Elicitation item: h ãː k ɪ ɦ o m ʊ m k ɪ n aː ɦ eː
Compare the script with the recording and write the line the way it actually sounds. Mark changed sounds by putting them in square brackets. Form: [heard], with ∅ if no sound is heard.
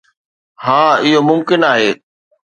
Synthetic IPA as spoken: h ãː [∅] ɪ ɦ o m ʊ m k ɪ n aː ɦ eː